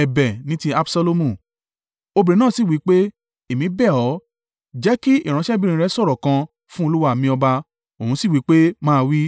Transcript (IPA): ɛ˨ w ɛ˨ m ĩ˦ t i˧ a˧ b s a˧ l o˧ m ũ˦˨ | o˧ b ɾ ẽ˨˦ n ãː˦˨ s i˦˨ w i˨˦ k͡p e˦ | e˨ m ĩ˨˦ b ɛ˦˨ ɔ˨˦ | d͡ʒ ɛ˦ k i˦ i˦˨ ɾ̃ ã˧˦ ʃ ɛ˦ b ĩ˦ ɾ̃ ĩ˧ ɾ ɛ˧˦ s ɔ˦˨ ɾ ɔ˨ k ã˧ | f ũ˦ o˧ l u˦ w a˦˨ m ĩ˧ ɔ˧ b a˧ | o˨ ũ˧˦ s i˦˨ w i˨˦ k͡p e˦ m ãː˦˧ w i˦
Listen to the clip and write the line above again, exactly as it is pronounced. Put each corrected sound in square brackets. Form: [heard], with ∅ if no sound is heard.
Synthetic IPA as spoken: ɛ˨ [b] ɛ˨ [n] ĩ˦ t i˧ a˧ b s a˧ l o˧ m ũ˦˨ | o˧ b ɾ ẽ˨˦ n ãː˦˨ s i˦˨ w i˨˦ k͡p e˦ | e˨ m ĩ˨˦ b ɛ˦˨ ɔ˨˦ | d͡ʒ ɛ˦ k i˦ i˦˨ ɾ̃ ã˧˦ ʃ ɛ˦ b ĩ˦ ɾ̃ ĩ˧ ɾ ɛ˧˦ s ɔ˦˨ ɾ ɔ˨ k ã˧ | f ũ˦ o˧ l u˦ w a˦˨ m ĩ˧ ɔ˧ b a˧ | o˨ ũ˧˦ s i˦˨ w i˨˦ k͡p e˦ m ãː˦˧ w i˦

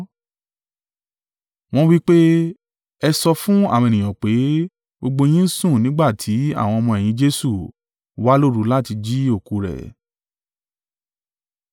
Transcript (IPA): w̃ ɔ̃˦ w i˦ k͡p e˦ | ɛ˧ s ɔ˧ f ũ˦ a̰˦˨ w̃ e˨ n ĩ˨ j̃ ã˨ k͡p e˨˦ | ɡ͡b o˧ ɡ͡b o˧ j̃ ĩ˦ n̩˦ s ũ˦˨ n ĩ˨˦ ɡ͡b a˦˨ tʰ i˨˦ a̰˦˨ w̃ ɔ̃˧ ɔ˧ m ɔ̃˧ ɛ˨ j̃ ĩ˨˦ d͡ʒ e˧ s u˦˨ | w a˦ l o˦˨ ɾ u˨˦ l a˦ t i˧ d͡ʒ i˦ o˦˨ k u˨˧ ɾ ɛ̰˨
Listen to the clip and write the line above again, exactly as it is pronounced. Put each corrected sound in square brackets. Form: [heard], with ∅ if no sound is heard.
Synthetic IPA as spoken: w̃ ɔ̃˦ w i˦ k͡p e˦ | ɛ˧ s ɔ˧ f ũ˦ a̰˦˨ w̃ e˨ n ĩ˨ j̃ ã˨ k͡p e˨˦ | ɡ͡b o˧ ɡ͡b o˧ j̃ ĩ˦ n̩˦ s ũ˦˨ n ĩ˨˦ ɡ͡b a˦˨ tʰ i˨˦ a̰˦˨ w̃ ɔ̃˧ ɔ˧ m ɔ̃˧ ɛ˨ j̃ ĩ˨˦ d͡ʒ e˧ s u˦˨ | w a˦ l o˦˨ ɾ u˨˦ l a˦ t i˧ d͡ʒ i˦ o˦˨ k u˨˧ ɾ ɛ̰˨

